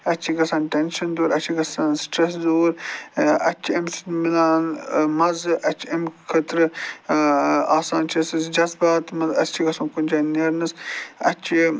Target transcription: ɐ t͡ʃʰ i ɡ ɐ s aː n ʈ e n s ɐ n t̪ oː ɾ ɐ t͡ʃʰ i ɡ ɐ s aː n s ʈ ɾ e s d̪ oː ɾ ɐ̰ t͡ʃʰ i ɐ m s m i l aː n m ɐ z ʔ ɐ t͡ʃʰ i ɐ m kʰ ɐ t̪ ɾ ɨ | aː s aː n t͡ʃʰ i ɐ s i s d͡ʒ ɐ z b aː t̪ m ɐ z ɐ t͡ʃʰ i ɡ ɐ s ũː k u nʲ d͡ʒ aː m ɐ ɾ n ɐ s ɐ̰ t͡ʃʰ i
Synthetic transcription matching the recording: ɐ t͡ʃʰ i ɡ ɐ s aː n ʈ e n ʃ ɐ n d̪ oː ɾ ɐ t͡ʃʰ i ɡ ɐ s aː n s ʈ ɾ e s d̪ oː ɾ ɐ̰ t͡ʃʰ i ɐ m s m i l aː n m ɐ z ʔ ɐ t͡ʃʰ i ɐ m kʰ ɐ t̪ ɾ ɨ | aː s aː n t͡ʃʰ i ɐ s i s d͡ʒ ɐ z b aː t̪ m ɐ z ɐ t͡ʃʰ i ɡ ɐ s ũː k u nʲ d͡ʒ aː n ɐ ɾ n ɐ s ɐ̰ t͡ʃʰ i